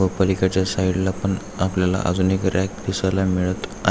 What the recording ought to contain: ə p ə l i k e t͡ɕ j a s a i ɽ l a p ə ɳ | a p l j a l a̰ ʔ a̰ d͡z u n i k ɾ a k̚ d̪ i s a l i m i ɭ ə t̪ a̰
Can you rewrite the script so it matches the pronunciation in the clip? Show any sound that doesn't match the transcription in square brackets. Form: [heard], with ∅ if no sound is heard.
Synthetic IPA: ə p ə l i k [a] t͡ɕ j a s a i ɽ l a p ə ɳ | a p l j a l a̰ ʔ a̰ d͡z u n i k ɾ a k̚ d̪ i s a l [a] m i ɭ ə t̪ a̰